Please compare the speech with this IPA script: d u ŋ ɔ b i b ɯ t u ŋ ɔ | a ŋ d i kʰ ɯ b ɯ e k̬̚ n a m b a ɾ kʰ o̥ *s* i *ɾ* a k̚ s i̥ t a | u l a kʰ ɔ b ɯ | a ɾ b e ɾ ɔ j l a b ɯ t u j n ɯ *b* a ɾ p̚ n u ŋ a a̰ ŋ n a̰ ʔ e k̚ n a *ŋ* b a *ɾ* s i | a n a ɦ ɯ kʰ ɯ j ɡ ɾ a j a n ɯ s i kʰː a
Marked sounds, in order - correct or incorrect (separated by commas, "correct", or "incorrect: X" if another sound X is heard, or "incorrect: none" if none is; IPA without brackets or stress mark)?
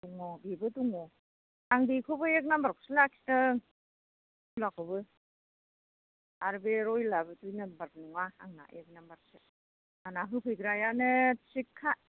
correct, incorrect: l, correct, incorrect: m, correct